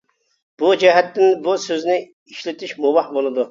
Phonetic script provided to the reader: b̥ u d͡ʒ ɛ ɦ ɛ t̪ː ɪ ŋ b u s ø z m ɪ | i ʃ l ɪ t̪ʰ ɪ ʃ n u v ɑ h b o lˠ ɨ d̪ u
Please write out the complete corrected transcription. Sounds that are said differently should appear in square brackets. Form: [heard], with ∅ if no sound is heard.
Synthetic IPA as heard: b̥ u d͡ʒ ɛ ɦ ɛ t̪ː ɪ [n] b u s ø z [n] ɪ | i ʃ l ɪ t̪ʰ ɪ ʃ [m] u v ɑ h b o lˠ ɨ d̪ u